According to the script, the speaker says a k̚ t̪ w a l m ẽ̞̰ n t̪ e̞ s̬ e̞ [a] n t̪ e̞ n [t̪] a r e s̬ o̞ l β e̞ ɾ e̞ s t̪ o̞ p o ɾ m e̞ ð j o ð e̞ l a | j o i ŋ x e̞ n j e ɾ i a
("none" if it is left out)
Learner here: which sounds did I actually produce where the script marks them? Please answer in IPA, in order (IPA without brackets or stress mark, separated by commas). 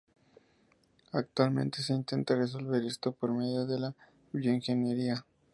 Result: i, t̪